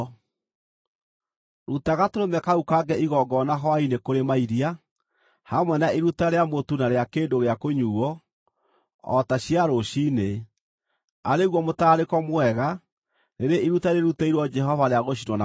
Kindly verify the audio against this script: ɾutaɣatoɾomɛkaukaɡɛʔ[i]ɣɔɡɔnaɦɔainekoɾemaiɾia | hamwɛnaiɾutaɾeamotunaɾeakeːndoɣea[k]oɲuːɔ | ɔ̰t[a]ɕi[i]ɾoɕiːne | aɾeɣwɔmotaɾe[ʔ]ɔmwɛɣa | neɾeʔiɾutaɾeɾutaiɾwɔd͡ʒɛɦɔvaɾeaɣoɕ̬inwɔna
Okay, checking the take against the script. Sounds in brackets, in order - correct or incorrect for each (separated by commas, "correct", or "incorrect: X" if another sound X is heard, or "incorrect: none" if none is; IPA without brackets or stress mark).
correct, correct, correct, incorrect: a, incorrect: k